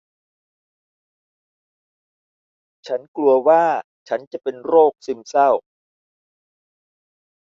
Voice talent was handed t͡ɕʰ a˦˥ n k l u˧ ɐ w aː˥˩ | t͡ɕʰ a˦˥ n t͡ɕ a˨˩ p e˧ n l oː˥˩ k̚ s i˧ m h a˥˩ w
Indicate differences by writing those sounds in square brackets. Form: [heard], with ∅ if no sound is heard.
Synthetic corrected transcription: t͡ɕʰ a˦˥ n k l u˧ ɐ w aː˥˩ | t͡ɕʰ a˦˥ n t͡ɕ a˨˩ p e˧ n [ɾ] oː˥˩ k̚ s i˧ m [s] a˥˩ w